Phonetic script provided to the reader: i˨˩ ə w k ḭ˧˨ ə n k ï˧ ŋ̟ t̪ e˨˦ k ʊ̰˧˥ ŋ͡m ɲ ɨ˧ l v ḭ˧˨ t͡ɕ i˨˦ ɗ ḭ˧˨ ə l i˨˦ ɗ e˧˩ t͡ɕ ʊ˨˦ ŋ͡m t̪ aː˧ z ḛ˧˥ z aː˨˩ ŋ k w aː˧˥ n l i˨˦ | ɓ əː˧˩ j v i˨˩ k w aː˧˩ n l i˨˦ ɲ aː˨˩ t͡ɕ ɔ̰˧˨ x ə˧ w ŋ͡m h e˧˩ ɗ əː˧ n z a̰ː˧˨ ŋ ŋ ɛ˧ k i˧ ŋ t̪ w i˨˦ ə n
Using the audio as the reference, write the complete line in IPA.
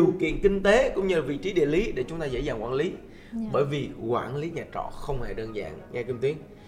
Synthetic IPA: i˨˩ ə w k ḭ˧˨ ə n k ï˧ ŋ̟ t̪ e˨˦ k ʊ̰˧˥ ŋ͡m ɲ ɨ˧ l v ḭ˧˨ t͡ɕ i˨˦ ɗ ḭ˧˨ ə l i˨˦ ɗ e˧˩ t͡ɕ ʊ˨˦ ŋ͡m t̪ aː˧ z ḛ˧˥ z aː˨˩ ŋ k w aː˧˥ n l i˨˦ | ɓ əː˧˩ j v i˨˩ k w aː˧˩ n l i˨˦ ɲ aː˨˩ t͡ɕ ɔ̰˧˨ x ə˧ w ŋ͡m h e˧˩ ɗ əː˧ n z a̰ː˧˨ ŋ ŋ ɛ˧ k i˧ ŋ t̪ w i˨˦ ə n